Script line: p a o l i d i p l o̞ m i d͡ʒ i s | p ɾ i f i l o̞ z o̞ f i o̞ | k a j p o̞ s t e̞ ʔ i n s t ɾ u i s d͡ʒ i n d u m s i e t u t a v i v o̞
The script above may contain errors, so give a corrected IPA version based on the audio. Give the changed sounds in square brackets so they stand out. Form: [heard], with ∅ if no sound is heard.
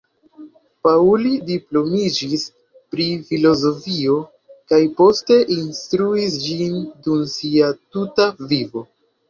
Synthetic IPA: p a [u] l i d i p l o̞ m i d͡ʒ i s | p ɾ i f i l o̞ z o̞ f i o̞ | k a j p o̞ s t e̞ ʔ i n s t ɾ u i s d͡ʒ i n d u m s i [a] t u t a v i v o̞